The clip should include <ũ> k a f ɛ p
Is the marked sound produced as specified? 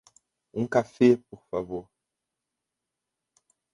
yes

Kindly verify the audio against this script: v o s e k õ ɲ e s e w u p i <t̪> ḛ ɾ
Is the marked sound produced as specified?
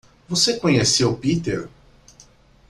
yes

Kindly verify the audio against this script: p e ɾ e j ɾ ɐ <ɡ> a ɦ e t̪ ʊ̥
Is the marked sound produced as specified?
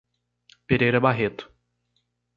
no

